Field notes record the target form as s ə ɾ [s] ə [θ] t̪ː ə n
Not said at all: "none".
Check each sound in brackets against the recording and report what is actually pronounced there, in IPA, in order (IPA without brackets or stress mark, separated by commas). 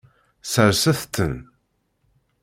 s, θ